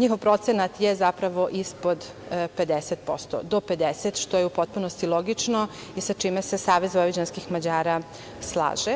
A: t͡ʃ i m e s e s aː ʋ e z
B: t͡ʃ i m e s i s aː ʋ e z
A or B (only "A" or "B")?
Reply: A